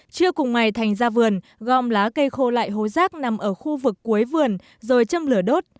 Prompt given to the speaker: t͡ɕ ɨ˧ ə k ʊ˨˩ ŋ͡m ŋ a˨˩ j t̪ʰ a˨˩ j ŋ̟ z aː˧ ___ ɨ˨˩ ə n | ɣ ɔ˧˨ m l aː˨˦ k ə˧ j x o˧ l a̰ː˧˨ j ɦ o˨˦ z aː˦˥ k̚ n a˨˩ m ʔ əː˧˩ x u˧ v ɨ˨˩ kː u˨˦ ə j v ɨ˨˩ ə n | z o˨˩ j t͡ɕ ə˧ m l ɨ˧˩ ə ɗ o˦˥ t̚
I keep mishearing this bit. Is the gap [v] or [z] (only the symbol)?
v